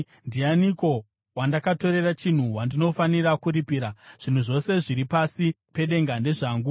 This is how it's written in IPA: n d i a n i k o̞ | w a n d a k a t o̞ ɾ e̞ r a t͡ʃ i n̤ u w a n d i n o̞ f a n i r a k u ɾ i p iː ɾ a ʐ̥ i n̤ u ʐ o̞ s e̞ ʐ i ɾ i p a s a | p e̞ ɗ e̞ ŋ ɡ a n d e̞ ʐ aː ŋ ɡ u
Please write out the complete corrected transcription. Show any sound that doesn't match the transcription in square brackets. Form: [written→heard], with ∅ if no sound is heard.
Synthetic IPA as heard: n d i a n i k o̞ | w a n d a k a t o̞ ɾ e̞ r a t͡ʃ i n̤ u w a n d i n o̞ f a n i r a k u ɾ i p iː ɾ a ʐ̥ i n̤ u ʐ o̞ s e̞ ʐ i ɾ i p a s [a→i] | p e̞ ɗ e̞ ŋ ɡ a n d e̞ ʐ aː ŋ ɡ u

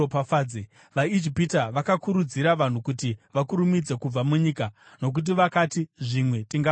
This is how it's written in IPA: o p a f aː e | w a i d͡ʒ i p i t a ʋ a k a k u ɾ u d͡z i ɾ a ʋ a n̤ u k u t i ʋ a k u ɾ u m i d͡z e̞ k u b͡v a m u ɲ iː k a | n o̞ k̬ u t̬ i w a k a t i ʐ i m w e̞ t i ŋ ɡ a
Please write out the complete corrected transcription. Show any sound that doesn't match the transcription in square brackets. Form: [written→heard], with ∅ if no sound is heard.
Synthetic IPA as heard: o p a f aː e | [w→ʋ] a i d͡ʒ i p i t a ʋ a k a k u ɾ u d͡z i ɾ a ʋ a n̤ u k u t i ʋ a k u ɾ u m i d͡z e̞ k u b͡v a m u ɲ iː k a | n o̞ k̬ u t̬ i [w→ʋ] a k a t i ʐ i m w e̞ t i ŋ ɡ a

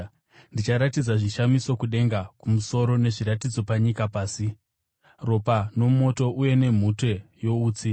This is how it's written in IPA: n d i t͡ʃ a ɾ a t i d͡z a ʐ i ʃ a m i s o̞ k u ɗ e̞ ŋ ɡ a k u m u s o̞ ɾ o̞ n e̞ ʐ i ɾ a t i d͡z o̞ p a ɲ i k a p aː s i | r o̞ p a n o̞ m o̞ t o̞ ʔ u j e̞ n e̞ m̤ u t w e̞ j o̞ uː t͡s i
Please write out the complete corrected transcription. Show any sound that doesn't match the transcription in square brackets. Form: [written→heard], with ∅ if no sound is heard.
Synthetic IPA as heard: n d i t͡ʃ a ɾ a t i d͡z a ʐ i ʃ a m i s o̞ k u ɗ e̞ ŋ ɡ a k u m u s o̞ ɾ o̞ n e̞ ʐ i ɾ a t i d͡z o̞ p a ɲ i k a p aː s i | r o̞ p a n o̞ m o̞ t o̞ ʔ u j e̞ n e̞ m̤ u t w e̞ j o̞ uː t͡s i

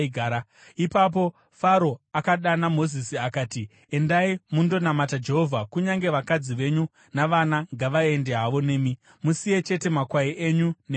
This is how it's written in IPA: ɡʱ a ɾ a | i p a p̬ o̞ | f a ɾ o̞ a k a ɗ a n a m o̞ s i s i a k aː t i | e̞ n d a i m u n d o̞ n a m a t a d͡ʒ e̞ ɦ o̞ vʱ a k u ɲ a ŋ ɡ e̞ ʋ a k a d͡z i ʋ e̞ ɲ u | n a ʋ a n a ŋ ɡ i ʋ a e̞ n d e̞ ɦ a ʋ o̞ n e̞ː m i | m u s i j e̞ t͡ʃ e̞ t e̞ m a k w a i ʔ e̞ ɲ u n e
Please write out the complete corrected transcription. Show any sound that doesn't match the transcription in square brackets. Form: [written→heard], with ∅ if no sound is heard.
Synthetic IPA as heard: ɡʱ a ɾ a | i p a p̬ o̞ | f a ɾ o̞ a k a ɗ a n a m o̞ [s→z] i s i a k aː t i | e̞ n d a i m u n d o̞ n a m a t a d͡ʒ e̞ ɦ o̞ vʱ a k u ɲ a ŋ ɡ e̞ ʋ a k a d͡z i ʋ e̞ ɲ u | n a ʋ a n a ŋ ɡ [i→a] ʋ a e̞ n d e̞ ɦ a ʋ o̞ n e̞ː m i | m u s i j e̞ t͡ʃ e̞ t e̞ m a k w a i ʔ e̞ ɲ u n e

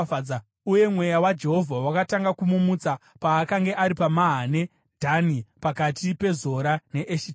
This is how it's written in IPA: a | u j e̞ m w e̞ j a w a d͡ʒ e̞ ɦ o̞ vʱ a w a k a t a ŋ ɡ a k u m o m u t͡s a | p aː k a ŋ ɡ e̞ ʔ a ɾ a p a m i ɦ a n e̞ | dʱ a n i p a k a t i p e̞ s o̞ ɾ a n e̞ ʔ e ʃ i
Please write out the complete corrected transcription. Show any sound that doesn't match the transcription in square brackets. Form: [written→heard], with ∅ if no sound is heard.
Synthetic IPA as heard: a | u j e̞ m w e̞ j a w a d͡ʒ e̞ ɦ o̞ vʱ a w a k a t a ŋ ɡ a k u m [o→u] m u t͡s a | p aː k a ŋ ɡ e̞ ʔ a ɾ [a→i] p a m [i→a] ɦ a n e̞ | dʱ a n i p a k a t i p e̞ [s→z] o̞ ɾ a n e̞ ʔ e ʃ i

